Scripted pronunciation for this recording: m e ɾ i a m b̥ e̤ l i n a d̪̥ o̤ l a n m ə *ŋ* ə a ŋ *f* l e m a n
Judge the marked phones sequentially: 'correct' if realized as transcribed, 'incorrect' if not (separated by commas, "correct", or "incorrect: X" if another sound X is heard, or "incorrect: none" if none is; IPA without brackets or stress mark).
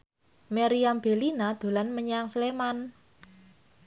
incorrect: ɲ, incorrect: s